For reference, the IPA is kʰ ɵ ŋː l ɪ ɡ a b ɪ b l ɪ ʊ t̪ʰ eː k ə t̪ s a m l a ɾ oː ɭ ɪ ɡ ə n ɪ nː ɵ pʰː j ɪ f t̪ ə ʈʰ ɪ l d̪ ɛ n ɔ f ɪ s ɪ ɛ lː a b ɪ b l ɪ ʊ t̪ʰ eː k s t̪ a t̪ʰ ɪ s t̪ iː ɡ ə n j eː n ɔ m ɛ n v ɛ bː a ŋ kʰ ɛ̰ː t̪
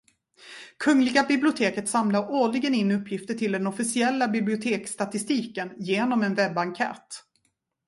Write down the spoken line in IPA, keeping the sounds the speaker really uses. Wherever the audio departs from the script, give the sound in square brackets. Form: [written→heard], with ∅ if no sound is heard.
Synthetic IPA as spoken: kʰ ɵ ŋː l ɪ ɡ a b ɪ b l ɪ ʊ t̪ʰ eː k ə t̪ s a m l a ɾ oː ɭ ɪ ɡ ə n ɪ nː ɵ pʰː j ɪ f t̪ ə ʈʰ ɪ l d̪ ɛ n ɔ f ɪ s ɪ ɛ lː a b ɪ b l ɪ ʊ t̪ʰ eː k s t̪ a [t̪ʰ→t̪] ɪ s t̪ iː [ɡ→k] ə n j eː n ɔ m ɛ n v ɛ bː a ŋ kʰ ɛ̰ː t̪